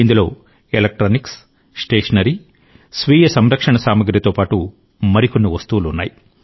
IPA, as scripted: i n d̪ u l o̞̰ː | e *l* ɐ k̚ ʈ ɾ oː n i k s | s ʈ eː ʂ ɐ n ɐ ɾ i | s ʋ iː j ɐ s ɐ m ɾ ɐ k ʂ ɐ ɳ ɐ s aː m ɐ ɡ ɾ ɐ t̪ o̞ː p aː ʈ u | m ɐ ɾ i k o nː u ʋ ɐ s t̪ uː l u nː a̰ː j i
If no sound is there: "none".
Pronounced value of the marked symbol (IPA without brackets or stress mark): l